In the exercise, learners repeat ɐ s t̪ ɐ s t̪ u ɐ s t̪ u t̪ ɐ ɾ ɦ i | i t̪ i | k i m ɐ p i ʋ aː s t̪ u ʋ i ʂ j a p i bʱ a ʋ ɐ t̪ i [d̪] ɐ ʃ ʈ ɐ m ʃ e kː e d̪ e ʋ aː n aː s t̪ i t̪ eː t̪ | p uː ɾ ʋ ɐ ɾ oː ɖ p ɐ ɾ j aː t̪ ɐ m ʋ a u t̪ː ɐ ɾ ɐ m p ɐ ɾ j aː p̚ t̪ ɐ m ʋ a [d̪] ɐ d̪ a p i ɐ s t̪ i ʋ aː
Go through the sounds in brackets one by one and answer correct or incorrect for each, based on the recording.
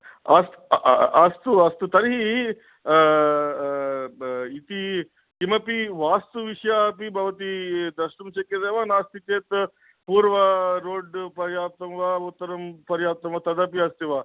correct, incorrect: t̪

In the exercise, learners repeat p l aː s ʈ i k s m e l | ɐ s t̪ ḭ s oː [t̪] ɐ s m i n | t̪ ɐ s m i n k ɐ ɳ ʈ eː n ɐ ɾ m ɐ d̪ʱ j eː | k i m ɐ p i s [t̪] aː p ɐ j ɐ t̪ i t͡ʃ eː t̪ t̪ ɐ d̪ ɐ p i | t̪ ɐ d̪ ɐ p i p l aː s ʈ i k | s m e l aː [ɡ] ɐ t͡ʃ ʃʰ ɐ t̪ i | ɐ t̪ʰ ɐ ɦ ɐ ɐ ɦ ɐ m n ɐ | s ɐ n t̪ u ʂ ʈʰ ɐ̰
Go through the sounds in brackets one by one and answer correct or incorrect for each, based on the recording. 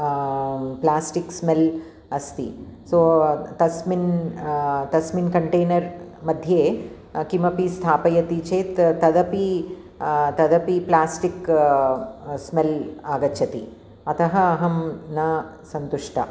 correct, incorrect: t̪ʰ, correct

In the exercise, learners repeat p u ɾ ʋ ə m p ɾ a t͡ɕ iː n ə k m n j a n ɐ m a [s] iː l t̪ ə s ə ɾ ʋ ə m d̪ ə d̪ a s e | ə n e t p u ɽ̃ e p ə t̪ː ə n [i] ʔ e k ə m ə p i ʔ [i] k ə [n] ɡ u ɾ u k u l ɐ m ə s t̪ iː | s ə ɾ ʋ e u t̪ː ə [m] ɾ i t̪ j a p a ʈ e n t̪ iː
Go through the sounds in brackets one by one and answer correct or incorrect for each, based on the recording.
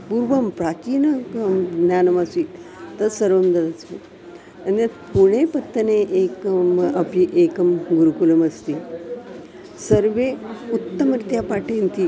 correct, incorrect: e, incorrect: e, incorrect: m, correct

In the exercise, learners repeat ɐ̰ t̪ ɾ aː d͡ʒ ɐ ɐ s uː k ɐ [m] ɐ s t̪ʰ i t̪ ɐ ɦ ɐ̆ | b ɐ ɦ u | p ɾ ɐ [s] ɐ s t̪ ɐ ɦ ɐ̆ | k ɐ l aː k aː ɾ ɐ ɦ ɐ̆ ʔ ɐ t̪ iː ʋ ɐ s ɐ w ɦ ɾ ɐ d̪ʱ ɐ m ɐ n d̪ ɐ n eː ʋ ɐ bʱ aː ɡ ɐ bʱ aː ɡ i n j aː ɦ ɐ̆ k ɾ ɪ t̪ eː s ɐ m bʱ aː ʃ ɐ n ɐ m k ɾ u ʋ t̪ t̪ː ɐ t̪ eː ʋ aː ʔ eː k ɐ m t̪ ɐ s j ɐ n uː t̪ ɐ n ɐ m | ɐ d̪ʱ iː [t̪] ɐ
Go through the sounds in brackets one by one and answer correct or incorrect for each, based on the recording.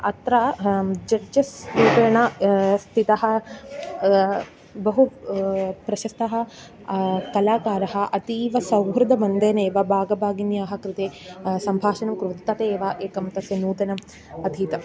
incorrect: ɳ, incorrect: ʃ, correct

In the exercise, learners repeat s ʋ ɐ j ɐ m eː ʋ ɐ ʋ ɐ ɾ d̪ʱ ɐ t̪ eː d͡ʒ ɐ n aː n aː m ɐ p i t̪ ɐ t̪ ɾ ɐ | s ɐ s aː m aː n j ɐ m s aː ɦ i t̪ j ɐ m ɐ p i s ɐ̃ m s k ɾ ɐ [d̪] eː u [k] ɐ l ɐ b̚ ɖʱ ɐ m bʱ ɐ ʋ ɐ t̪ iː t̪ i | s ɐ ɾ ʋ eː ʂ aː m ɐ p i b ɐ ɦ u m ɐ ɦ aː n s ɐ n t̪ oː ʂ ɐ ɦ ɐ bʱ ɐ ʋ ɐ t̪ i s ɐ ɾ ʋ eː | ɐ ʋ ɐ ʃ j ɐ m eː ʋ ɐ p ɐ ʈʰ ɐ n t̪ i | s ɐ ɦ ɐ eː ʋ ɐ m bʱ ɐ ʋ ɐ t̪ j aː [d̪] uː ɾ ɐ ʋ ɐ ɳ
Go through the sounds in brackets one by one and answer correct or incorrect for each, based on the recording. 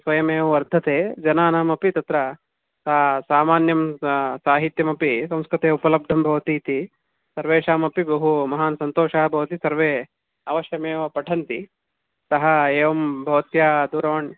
incorrect: t̪, incorrect: p, correct

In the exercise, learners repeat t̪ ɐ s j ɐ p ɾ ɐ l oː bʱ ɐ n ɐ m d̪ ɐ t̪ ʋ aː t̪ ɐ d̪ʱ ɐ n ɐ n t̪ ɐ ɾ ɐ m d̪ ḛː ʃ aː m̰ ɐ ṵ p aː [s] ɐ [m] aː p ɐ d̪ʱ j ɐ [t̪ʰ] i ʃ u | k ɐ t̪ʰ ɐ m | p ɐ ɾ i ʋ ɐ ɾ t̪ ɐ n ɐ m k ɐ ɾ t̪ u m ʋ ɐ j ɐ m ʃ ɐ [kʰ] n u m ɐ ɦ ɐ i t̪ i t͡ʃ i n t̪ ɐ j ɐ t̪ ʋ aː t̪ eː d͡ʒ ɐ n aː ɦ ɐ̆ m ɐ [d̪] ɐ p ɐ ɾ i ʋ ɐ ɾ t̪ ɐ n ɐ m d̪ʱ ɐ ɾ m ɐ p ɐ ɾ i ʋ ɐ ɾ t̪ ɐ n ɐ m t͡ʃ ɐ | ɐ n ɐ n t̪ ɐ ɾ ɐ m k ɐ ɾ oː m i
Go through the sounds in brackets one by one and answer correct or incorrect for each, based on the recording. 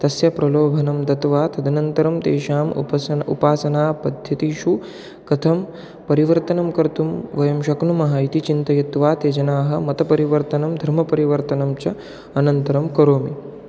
correct, incorrect: n, incorrect: t̪, incorrect: k, incorrect: t̪

